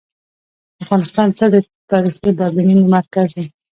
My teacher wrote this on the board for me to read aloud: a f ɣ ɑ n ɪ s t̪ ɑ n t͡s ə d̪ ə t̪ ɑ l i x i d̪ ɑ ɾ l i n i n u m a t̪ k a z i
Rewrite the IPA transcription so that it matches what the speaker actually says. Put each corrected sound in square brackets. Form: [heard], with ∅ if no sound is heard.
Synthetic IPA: a f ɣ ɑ n ɪ s t̪ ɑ n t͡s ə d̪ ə t̪ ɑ [ɾ] i x i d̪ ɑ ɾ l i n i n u m a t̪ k a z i